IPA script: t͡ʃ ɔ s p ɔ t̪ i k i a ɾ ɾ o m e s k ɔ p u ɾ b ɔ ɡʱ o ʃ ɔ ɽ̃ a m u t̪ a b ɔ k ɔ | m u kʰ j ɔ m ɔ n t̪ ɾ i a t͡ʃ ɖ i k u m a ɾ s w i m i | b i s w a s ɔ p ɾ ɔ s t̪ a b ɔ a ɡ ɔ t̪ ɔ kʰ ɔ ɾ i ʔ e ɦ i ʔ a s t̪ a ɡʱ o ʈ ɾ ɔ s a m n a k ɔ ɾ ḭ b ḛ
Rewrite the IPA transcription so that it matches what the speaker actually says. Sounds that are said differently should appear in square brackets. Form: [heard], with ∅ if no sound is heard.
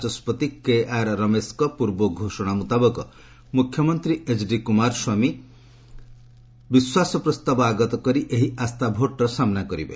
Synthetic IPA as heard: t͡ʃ ɔ s p ɔ t̪ i k [e] a ɾ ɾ [ɔ] m e s k ɔ p u ɾ b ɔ ɡʱ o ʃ ɔ ɽ̃ a m u t̪ a b ɔ k ɔ | m u kʰ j ɔ m ɔ n t̪ ɾ i [e] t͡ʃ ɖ i k u m a ɾ s w [a] m i | b i s w a s ɔ p ɾ ɔ s t̪ a b ɔ a ɡ ɔ t̪ ɔ [k] ɔ ɾ i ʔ e ɦ i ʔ a s t̪ a [bʱ] o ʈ ɾ ɔ s a m n a k ɔ ɾ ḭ b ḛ